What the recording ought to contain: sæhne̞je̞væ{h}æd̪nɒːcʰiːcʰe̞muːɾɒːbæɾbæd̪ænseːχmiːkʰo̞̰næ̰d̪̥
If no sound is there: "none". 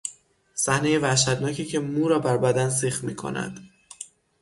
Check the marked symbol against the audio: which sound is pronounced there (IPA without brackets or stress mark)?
ʃ